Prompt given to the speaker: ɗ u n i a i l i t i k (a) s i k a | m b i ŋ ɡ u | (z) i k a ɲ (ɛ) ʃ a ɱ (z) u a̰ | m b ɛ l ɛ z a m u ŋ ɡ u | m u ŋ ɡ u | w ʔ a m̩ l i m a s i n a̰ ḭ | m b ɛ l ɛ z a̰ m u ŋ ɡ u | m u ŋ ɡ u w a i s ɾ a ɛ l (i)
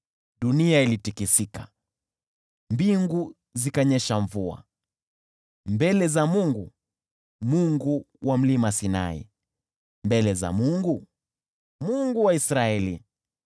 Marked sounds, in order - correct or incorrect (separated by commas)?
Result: incorrect, correct, correct, incorrect, correct